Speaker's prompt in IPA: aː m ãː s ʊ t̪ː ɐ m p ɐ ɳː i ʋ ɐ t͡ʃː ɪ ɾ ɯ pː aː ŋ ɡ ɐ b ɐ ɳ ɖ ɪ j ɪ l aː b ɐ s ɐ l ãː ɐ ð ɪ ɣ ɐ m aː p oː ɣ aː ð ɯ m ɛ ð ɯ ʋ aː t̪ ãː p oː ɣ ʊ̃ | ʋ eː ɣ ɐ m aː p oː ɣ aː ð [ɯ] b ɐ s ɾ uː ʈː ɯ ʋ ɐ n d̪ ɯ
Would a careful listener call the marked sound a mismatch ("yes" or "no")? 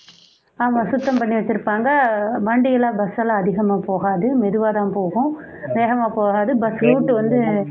no